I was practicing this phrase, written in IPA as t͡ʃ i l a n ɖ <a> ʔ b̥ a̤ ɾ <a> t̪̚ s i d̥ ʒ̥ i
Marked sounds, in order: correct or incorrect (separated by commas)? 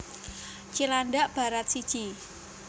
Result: correct, correct